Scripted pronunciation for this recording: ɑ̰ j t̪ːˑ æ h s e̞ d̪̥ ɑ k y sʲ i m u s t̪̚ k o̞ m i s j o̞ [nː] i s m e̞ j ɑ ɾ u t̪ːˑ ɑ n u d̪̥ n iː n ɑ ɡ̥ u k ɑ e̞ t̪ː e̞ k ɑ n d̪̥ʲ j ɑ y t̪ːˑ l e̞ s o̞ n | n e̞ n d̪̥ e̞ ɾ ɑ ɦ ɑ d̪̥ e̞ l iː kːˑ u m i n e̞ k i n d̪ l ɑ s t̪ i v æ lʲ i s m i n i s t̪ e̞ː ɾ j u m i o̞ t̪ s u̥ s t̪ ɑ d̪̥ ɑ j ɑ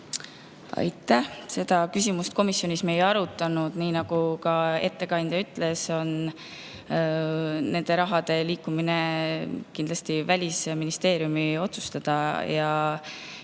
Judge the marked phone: incorrect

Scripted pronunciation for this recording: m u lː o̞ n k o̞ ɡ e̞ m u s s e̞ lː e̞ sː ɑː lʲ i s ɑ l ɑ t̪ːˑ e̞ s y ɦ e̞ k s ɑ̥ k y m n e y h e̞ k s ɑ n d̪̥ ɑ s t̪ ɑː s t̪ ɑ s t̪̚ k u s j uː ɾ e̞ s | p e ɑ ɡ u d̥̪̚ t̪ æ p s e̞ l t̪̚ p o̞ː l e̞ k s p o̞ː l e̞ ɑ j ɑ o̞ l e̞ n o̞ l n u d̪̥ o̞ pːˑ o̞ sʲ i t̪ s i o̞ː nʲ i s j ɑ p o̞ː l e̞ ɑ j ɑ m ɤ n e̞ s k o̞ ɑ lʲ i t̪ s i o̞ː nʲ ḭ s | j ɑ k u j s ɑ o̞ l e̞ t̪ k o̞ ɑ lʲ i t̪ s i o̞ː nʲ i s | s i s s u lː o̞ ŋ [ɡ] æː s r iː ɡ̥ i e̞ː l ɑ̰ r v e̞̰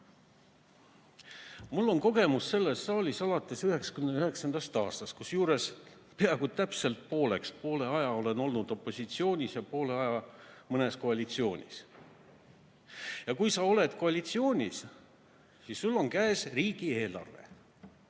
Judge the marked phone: incorrect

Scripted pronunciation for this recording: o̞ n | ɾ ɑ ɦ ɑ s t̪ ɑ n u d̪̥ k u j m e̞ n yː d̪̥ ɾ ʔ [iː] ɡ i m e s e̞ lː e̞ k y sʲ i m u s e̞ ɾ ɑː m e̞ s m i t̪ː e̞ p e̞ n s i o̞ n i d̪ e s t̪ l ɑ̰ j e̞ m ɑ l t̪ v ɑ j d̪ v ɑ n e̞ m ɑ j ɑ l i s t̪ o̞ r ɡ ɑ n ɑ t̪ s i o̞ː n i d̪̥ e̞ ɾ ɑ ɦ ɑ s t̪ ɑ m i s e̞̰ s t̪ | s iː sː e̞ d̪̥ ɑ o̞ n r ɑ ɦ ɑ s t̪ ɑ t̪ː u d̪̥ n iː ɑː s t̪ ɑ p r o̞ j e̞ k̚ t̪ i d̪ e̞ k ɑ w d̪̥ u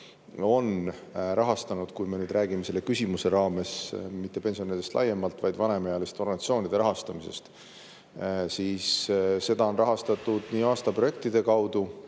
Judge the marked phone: incorrect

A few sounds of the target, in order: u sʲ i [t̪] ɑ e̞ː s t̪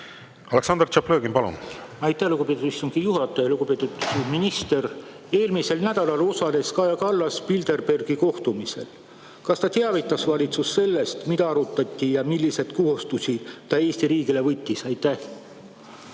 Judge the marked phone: correct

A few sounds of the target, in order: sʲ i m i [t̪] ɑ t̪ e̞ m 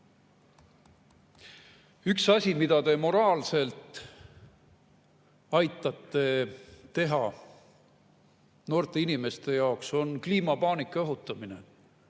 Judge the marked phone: incorrect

